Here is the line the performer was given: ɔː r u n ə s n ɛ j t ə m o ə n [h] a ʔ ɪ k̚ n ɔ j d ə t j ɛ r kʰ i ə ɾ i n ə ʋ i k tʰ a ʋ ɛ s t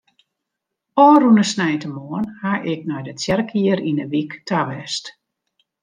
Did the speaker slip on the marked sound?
no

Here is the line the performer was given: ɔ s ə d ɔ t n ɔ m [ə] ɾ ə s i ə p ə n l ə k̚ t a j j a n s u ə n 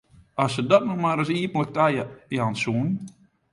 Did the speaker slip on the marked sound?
yes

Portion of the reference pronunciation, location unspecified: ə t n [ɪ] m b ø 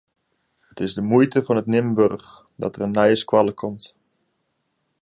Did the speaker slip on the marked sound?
no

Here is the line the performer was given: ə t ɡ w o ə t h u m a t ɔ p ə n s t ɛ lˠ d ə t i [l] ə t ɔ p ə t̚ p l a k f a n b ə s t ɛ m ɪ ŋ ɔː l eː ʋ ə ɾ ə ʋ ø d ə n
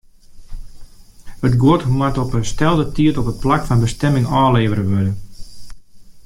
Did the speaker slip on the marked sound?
yes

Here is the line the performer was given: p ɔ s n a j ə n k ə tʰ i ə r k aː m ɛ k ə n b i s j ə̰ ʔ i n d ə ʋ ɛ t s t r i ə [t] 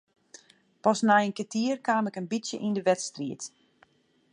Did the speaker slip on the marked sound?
no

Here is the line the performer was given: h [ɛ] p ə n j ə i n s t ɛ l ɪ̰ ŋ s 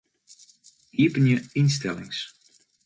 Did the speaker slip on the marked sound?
yes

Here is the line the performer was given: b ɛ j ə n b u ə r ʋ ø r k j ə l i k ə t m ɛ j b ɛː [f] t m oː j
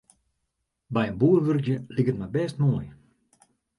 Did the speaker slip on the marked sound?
yes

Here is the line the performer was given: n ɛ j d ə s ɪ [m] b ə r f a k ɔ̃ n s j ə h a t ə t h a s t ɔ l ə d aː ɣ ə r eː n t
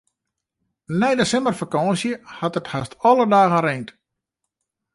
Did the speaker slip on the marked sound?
no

